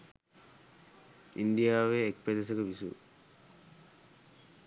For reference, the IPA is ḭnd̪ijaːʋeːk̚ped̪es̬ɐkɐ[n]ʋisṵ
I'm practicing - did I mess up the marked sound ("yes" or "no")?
yes